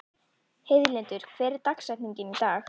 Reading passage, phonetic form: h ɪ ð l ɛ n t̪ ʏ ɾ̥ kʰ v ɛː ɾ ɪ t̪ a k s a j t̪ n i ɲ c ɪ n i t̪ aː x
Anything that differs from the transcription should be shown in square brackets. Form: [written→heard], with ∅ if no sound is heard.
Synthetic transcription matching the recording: h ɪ ð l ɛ n t̪ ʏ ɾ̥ kʰ v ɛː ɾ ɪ t̪ a k s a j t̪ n i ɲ c ɪ n i t̪ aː x